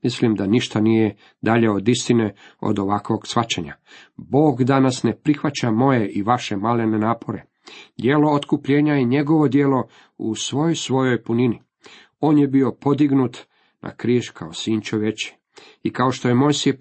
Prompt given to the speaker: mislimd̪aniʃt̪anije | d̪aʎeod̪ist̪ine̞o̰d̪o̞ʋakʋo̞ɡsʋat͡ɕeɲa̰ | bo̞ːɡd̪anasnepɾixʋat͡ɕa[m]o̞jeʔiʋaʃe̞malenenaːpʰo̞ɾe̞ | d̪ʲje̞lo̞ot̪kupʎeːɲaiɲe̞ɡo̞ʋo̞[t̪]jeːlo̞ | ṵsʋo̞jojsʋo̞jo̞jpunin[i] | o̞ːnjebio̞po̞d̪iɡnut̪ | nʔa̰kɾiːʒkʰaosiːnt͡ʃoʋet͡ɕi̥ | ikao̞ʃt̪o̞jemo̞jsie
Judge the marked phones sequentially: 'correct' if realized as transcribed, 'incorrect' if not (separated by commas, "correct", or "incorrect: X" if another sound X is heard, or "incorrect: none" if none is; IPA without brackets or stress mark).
correct, incorrect: d̪, correct